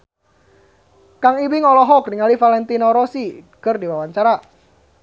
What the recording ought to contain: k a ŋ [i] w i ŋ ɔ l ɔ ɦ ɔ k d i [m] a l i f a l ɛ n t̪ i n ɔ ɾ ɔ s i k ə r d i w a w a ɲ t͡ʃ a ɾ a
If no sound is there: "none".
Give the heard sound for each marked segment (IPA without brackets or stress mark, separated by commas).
i, ŋ